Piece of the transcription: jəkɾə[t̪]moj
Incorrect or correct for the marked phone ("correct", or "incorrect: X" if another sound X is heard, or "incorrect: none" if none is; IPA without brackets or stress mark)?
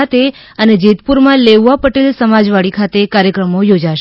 incorrect: none